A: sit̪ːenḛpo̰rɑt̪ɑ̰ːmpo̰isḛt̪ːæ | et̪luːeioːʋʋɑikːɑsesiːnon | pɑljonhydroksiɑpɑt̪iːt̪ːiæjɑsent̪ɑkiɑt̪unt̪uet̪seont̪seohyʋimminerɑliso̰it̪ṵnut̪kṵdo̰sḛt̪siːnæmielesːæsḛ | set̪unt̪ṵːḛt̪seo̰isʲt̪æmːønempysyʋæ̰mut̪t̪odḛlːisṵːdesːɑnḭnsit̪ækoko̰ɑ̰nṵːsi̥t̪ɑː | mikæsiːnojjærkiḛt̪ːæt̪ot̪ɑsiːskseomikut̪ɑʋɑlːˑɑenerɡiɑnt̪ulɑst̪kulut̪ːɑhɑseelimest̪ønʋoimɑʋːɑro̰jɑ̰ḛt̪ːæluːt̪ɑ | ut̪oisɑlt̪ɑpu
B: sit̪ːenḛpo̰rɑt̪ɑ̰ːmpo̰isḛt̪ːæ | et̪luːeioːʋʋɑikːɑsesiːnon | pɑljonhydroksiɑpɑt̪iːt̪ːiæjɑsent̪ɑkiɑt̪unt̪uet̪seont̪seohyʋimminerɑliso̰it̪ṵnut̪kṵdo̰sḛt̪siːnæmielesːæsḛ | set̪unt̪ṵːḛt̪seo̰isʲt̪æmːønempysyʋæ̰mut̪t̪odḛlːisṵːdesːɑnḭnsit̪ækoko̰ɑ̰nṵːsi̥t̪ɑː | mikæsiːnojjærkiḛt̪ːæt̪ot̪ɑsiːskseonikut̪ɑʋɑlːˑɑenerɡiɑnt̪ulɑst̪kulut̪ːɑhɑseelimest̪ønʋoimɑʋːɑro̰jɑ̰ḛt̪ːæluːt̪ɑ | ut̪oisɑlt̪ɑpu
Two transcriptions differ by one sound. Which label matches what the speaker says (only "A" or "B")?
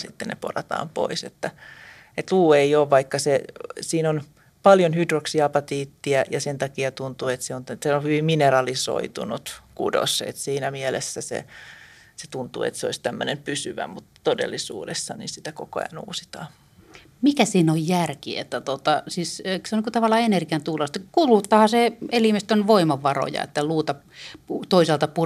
B